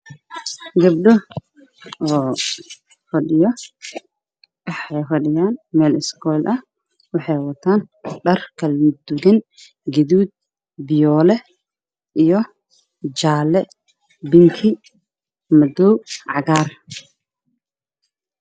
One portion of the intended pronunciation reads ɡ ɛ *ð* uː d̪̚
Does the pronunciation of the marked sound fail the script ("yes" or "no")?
no